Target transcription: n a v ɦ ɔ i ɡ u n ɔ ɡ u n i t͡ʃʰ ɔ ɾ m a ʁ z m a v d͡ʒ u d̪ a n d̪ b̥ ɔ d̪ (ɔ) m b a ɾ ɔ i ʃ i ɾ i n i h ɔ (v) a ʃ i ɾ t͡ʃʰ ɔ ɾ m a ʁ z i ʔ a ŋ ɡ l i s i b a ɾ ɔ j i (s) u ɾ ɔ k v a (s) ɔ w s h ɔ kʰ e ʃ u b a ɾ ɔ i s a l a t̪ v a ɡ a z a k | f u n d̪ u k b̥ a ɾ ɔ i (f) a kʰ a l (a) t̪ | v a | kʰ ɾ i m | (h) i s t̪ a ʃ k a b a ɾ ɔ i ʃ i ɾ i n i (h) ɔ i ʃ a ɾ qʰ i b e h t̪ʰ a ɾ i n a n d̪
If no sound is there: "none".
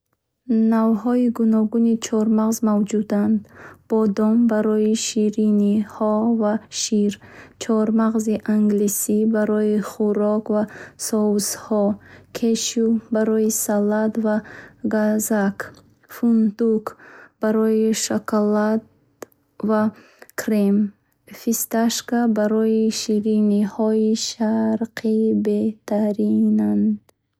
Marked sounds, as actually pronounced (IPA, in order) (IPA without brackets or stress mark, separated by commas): ɔ, v, χ, s, ʃ, a, f, h